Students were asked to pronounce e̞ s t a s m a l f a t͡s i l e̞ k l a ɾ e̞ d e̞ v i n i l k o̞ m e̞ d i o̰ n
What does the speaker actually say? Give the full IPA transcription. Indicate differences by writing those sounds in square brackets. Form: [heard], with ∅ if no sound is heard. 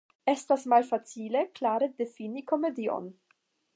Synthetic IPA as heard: e̞ s t a s m a l f a t͡s i l e̞ k l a ɾ e̞ d e̞ [f] i n i [∅] k o̞ m e̞ d i o̰ n